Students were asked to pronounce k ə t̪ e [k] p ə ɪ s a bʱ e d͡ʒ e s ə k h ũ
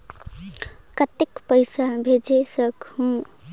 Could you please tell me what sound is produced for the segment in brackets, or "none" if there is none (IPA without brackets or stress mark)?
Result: k